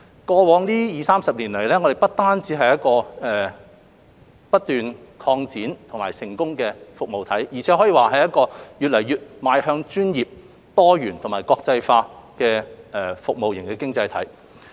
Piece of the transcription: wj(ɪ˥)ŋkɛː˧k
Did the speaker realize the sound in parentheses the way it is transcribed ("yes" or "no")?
no